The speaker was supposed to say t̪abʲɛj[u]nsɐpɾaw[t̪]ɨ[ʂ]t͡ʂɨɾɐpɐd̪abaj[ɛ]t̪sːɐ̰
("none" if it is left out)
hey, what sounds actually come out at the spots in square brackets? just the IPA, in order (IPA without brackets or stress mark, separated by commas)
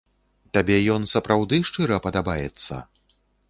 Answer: ɔ, d̪, ʂ, ɛ